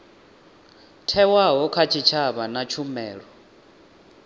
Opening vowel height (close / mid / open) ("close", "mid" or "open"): mid